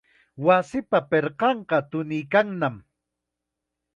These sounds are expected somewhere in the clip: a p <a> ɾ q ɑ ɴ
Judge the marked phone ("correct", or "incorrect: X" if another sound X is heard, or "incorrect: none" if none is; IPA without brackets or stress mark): incorrect: e